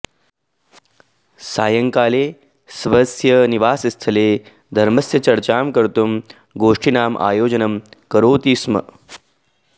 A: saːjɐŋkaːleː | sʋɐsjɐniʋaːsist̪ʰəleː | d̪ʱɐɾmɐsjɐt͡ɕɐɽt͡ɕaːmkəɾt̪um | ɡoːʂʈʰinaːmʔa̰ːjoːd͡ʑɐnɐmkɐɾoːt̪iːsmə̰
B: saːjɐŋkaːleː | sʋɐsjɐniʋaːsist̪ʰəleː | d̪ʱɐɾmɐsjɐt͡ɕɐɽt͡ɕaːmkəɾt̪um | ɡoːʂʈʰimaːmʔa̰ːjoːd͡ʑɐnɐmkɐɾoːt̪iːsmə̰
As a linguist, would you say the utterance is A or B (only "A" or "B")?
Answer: A